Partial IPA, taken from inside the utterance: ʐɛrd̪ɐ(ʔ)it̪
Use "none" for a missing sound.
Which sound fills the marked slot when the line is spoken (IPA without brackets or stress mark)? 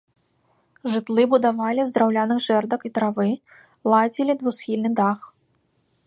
k